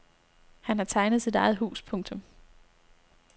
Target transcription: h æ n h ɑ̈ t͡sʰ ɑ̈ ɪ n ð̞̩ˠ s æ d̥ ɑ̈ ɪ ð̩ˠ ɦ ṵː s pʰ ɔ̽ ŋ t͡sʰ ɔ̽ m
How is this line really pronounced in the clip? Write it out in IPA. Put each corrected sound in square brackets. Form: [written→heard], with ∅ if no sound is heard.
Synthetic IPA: h æ n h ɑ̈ t͡sʰ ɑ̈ ɪ n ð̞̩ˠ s [æ→i] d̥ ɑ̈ ɪ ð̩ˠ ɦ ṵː s pʰ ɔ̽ ŋ t͡sʰ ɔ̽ m